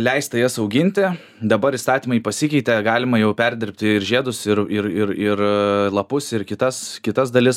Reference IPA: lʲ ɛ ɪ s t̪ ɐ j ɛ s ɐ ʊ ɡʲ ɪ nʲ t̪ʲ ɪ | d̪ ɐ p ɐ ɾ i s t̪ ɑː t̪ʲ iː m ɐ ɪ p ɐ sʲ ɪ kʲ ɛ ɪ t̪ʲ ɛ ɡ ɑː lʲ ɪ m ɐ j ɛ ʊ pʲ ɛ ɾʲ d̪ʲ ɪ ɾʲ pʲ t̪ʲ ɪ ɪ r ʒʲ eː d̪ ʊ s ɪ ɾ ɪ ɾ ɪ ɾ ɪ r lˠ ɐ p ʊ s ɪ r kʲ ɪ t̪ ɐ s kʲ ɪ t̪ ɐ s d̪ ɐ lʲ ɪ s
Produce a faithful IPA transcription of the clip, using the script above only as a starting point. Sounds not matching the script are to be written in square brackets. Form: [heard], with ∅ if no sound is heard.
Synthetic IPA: lʲ ɛ ɪ s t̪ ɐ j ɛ s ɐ ʊ ɡʲ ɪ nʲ t̪ʲ ɪ | d̪ ɐ [b] ɐ ɾ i s t̪ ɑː t̪ʲ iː m ɐ ɪ p ɐ sʲ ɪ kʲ ɛ ɪ t̪ʲ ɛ ɡ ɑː lʲ ɪ m ɐ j ɛ ʊ pʲ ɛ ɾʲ d̪ʲ ɪ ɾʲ pʲ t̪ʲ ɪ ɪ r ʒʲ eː d̪ ʊ s ɪ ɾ ɪ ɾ ɪ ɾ ɪ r lˠ ɐ p ʊ s ɪ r kʲ ɪ t̪ ɐ s kʲ ɪ t̪ ɐ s d̪ ɐ lʲ ɪ s